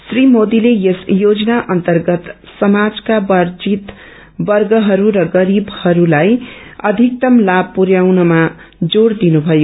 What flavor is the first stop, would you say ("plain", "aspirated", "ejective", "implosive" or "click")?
plain